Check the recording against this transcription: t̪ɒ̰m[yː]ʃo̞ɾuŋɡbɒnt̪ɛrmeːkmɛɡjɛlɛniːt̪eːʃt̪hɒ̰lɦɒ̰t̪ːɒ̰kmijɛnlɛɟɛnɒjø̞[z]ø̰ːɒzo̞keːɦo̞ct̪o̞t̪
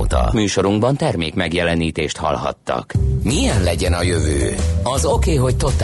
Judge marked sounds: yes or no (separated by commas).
yes, no